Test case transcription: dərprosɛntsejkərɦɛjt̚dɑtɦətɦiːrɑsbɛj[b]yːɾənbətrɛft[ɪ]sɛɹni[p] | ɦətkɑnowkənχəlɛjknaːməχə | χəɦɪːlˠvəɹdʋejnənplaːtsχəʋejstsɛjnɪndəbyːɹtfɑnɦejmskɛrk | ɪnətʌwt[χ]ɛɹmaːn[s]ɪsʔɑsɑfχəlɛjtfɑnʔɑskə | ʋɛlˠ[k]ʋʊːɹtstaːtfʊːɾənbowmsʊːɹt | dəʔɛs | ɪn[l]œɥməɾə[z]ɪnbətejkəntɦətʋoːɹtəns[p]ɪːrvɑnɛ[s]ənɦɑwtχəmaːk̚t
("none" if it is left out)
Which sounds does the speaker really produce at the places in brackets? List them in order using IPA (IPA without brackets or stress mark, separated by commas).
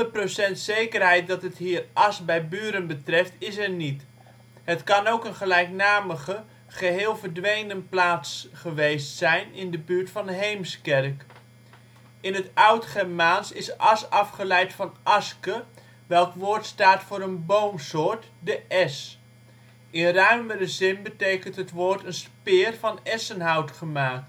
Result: b, ɪ, t, χ, s, k, r, z, p, s